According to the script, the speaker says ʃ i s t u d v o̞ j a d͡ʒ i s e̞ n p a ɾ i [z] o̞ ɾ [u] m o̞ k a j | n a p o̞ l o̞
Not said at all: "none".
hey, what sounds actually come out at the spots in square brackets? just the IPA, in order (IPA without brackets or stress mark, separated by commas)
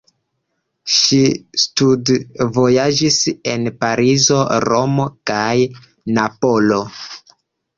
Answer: z, o